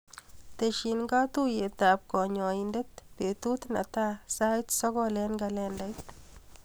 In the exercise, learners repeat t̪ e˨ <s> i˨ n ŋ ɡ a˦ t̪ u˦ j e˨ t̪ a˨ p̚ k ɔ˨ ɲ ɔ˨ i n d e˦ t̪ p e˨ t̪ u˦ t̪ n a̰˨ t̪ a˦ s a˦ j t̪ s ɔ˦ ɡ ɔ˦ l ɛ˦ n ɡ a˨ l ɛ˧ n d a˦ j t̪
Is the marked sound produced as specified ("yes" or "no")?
no